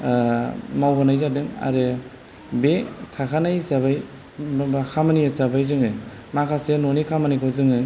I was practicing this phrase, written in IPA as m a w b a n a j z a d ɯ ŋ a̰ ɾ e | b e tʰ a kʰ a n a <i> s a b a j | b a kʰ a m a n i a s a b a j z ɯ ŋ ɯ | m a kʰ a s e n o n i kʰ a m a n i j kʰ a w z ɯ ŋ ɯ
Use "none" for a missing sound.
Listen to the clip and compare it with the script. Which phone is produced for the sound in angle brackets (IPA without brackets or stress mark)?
j